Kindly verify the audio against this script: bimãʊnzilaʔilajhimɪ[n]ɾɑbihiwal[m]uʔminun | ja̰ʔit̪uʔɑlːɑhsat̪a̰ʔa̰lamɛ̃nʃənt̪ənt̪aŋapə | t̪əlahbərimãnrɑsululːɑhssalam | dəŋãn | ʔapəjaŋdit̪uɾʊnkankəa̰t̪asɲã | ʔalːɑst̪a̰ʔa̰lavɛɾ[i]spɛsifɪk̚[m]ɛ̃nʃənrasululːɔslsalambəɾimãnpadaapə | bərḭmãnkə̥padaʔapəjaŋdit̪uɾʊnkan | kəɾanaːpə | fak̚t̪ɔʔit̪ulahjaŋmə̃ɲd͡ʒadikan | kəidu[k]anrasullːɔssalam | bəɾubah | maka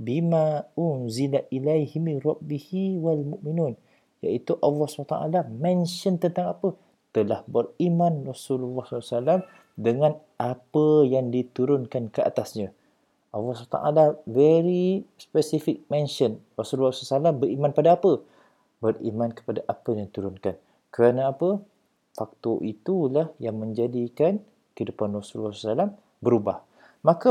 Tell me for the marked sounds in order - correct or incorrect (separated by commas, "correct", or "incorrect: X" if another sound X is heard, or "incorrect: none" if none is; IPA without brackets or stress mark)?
correct, correct, correct, correct, incorrect: p